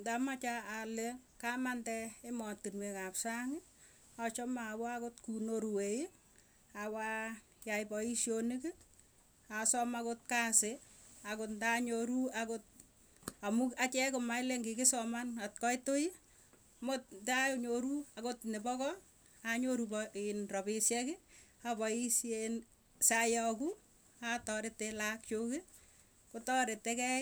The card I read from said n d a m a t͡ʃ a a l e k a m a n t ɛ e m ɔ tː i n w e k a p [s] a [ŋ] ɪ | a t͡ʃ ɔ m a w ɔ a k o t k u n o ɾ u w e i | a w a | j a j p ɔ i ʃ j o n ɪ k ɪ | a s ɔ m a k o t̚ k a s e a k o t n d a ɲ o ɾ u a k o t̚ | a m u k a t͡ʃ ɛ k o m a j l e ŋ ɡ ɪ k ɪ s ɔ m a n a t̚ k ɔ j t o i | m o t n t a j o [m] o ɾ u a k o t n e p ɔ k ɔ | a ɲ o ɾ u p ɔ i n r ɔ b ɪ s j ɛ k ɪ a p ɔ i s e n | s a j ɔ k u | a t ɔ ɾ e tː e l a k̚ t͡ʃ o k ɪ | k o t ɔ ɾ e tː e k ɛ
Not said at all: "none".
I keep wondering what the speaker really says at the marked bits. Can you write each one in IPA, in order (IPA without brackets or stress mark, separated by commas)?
s, ŋ, ɲ